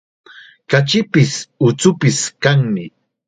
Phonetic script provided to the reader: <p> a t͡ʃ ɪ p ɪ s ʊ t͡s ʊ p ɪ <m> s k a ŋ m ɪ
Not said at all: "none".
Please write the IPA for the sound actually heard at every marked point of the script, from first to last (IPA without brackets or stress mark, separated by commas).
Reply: k, none